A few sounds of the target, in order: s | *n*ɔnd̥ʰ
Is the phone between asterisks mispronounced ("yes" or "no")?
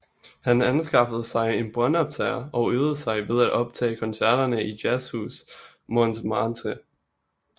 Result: yes